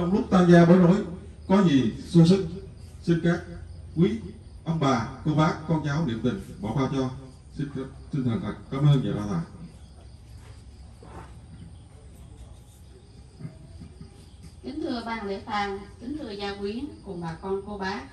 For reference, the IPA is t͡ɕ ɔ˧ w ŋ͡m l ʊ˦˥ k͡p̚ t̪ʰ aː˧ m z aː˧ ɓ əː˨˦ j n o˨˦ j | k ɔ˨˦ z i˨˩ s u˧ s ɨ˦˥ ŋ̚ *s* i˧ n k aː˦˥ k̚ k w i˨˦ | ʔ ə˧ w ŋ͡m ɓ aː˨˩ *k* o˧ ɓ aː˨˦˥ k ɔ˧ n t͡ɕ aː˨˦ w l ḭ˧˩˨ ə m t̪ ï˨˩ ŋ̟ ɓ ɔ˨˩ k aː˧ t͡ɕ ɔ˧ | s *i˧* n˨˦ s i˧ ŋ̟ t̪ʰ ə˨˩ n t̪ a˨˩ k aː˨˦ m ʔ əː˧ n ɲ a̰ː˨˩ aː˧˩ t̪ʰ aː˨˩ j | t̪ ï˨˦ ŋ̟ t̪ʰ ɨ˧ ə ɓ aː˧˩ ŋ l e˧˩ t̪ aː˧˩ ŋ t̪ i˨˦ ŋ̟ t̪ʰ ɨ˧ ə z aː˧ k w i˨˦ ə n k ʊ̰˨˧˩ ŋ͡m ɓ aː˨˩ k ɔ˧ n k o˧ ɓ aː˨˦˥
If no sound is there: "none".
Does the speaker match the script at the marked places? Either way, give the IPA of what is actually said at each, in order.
s, k, i˧

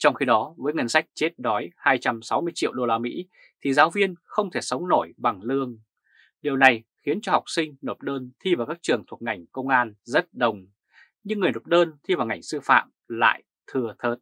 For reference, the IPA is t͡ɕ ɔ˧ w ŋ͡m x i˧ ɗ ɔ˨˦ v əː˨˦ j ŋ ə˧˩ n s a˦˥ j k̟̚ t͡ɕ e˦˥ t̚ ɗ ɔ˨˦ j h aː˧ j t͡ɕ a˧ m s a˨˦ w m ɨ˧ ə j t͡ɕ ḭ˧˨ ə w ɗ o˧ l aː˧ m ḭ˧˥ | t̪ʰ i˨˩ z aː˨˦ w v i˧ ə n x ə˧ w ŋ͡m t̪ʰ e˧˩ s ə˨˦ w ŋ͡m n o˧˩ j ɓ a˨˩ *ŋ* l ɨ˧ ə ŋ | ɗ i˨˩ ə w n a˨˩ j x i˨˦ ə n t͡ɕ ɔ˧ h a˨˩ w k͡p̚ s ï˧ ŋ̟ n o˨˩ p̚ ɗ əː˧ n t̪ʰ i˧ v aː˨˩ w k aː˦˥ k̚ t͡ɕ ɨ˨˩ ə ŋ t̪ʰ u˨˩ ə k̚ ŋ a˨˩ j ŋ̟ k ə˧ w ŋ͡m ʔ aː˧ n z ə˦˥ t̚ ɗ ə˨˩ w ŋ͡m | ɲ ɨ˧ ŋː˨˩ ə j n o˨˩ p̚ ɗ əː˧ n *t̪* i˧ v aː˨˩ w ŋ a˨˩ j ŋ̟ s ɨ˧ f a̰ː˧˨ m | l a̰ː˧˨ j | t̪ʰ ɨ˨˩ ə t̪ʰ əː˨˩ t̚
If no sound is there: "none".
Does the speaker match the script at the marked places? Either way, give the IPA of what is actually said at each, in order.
ŋ, t̪ʰ

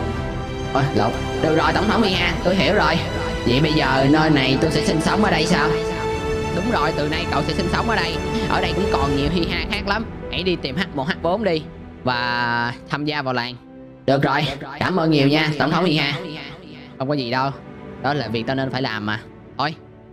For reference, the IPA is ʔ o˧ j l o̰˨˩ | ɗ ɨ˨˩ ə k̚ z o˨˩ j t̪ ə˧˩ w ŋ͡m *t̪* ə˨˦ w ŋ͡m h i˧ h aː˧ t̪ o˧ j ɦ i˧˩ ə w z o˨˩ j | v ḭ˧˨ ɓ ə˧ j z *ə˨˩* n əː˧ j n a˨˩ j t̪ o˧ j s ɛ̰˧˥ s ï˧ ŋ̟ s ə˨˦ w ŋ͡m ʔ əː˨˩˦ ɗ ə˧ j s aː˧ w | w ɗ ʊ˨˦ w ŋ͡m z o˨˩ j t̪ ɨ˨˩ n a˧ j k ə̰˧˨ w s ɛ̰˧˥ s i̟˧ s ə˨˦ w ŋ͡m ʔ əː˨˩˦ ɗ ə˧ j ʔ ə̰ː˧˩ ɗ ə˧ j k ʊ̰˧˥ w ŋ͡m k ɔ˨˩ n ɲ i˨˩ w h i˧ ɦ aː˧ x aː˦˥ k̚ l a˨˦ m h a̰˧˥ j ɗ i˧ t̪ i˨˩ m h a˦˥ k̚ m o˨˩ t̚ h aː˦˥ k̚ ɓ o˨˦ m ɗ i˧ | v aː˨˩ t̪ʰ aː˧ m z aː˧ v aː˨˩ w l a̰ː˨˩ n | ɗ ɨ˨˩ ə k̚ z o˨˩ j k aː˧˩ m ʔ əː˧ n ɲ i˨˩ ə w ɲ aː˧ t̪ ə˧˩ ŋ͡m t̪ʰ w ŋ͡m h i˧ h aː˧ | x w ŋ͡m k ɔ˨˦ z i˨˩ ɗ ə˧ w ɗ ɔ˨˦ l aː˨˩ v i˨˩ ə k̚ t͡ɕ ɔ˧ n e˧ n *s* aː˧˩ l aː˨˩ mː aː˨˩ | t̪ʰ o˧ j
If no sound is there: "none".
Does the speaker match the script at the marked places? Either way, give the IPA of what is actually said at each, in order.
t̪ʰ, əː˨˩, f

